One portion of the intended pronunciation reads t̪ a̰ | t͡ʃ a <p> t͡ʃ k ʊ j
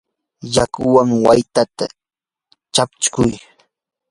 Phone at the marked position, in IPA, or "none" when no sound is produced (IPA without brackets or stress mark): p